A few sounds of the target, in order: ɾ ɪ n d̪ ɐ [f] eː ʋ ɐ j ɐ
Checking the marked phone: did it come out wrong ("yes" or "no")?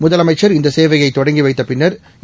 yes